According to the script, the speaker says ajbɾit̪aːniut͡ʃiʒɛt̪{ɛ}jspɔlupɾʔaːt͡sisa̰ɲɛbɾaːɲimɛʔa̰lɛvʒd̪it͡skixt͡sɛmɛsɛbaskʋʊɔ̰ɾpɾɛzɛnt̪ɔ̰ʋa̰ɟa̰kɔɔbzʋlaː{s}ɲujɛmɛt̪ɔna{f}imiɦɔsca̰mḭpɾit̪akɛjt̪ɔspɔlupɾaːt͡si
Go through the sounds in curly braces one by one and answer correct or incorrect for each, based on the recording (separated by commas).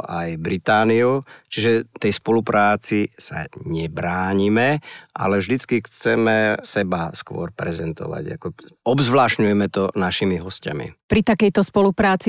correct, incorrect, incorrect